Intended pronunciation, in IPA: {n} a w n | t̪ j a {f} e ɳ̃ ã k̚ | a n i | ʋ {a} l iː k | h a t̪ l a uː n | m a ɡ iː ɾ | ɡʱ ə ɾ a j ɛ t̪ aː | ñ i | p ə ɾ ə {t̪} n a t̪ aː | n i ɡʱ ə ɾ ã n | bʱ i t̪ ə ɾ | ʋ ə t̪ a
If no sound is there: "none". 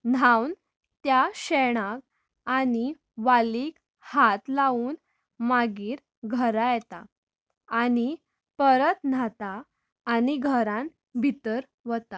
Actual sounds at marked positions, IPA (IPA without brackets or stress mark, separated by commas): n, ɕ, a, t̪